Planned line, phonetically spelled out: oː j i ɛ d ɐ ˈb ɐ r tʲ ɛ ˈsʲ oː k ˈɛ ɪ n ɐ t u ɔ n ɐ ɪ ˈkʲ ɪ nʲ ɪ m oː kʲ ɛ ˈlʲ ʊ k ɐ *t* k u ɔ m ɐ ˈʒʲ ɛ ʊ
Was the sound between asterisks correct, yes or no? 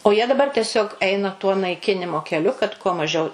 yes